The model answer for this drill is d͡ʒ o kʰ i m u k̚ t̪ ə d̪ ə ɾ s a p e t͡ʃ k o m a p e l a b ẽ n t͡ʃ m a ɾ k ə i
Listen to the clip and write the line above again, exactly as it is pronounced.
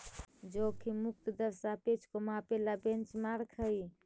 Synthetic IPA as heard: d͡ʒ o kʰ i m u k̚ t̪ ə d̪ ə ɾ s a p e t͡ʃ k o m a p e l a b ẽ n t͡ʃ m a ɾ kʰ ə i

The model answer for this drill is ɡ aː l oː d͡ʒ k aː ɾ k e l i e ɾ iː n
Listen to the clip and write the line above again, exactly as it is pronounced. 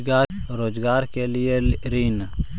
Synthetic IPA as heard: ɡ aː ɾ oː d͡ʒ ɡ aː ɾ k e l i e ɾ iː n

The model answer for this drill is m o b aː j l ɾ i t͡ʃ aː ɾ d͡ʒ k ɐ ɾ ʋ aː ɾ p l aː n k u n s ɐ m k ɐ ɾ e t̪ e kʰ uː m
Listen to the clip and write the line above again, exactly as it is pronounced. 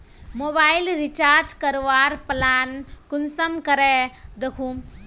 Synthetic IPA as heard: m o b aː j l ɾ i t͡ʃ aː ɾ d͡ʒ k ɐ ɾ ʋ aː ɾ p l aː n k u n s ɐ m k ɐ ɾ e d̪ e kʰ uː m

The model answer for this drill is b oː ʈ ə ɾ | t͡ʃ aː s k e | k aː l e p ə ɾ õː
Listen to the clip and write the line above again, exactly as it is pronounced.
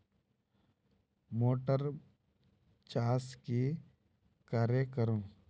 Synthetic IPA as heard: m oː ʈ ə ɾ | t͡ʃ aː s k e | k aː ɾ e k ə ɾ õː

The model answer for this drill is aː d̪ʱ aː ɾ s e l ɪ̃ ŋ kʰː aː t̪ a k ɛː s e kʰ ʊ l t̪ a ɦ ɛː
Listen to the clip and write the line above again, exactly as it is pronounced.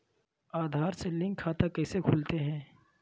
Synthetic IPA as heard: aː d̪ʱ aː ɾ s e l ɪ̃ ŋ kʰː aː t̪ a k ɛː s e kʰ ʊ l t̪ e ɦ ɛ̃ː

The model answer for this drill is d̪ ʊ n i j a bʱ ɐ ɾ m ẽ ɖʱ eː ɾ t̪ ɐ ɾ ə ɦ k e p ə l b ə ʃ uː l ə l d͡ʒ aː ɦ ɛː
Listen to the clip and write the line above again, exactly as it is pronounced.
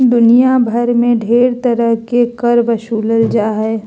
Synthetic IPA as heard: d̪ ʊ n i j a bʱ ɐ ɾ m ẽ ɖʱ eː ɾ t̪ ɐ ɾ ə ɦ k e k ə ɾ b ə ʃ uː l ə l d͡ʒ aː ɦ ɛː

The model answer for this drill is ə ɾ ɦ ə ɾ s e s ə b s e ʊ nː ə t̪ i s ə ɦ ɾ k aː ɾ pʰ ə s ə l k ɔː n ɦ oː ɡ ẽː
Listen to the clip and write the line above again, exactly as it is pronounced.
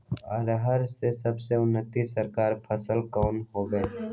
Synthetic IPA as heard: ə ɾ ɦ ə ɾ s e s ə b s e ʊ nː ə t̪ i s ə ɾ k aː ɾ pʰ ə s ə l k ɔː n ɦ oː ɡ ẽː

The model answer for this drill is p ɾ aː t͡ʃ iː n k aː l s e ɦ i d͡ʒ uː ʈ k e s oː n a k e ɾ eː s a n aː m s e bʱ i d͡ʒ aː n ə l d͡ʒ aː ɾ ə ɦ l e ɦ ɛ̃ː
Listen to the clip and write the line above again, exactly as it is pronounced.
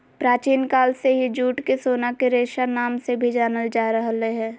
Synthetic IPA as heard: p ɾ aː t͡ʃ iː n k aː l s e ɦ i d͡ʒ uː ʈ k e s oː n a k e ɾ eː ʃ a n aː m s e bʱ i d͡ʒ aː n ə l d͡ʒ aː ɾ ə ɦ l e ɦ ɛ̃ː

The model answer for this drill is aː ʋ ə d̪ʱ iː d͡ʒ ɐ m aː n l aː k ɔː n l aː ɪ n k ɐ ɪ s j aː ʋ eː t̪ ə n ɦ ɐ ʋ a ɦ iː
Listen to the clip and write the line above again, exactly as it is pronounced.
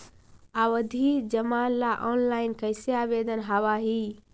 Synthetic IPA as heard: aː ʋ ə d̪ʱ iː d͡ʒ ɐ m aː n l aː ʔ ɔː n l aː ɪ n k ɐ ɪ s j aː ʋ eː d̪ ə n ɦ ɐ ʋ a ɦ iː

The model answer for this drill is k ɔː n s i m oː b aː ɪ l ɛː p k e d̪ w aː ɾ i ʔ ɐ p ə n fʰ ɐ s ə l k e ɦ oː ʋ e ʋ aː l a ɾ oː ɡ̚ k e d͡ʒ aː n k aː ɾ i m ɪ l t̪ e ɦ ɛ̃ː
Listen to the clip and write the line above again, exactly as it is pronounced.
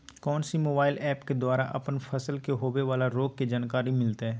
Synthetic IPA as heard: k ɔː n s i m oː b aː ɪ l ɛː p k e d̪ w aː ɾ a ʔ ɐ p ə n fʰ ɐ s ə l k e ɦ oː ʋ e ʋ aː l a ɾ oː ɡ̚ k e d͡ʒ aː n k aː ɾ i m ɪ l t̪ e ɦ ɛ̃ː

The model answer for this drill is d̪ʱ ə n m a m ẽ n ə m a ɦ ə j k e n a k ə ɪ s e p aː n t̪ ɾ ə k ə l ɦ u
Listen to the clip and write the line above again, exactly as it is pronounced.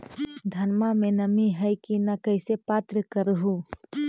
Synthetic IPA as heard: d̪ʱ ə n m a m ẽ n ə m i ɦ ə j k i n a k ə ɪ s e p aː t̪ ɾ ə k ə ɾ ɦ u

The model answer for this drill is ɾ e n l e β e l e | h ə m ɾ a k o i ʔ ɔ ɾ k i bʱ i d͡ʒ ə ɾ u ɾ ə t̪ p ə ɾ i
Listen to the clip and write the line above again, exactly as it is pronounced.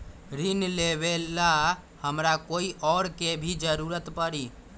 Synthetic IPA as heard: ɾ i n l e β e l a | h ə m ɾ a k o i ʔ ɔ ɾ k e bʱ i d͡ʒ ə ɾ u ɾ ə t̪ p ə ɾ i

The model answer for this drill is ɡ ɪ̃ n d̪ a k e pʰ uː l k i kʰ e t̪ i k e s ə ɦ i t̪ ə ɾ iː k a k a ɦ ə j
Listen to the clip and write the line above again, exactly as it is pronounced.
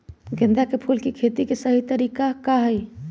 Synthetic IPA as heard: ɡ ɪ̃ n d̪ a k e pʰ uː l k i kʰ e t̪ i k e s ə ɦ i t̪ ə ɾ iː k a k a ɦ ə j

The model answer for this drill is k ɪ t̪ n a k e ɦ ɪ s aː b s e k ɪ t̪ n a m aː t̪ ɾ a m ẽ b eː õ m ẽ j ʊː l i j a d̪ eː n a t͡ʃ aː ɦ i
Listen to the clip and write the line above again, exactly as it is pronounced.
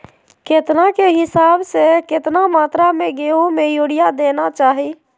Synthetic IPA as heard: k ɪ t̪ n a k e ɦ ɪ s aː b s e k ɪ t̪ n a m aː t̪ ɾ a m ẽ ɡ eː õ m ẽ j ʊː ɽ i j a d̪ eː n a t͡ʃ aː ɦ i

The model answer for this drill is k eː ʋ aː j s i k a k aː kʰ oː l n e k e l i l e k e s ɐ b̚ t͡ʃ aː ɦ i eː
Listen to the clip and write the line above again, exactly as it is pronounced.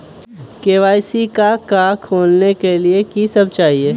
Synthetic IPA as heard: k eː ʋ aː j s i k a k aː kʰ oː l n e k e l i e k i s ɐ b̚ t͡ʃ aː ɦ i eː

